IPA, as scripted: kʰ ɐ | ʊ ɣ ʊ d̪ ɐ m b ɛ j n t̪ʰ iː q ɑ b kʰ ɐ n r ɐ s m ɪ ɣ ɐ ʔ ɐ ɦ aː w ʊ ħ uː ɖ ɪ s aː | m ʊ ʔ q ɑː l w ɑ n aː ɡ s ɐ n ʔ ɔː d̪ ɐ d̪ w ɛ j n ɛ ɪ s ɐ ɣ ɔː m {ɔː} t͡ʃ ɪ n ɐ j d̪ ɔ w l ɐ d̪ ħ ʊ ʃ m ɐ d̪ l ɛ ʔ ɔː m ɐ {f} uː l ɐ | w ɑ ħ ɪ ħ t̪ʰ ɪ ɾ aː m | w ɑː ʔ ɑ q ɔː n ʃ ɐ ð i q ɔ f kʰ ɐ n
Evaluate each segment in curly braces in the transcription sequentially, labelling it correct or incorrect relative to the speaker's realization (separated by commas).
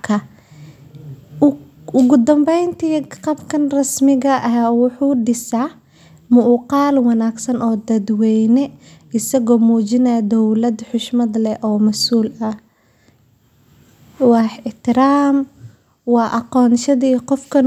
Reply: incorrect, incorrect